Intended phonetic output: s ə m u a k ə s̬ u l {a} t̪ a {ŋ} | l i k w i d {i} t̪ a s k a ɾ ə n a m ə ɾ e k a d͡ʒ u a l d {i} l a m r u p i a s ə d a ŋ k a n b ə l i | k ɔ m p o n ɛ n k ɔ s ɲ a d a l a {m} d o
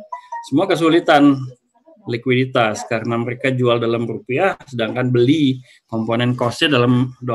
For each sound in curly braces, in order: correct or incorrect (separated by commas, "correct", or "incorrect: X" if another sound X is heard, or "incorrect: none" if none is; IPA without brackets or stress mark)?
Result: incorrect: i, incorrect: n, correct, incorrect: a, correct